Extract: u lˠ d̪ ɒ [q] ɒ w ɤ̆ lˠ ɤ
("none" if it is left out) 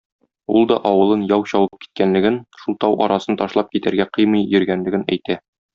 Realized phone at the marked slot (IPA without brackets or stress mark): ʔ